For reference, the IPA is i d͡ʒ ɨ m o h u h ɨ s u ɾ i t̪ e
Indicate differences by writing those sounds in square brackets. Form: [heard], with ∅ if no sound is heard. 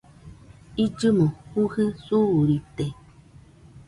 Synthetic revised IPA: i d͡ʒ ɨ m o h u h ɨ s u ɾ i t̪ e